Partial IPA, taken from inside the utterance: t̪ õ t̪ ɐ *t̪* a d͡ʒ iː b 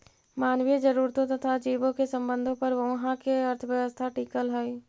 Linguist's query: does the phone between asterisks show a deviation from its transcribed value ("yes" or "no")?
yes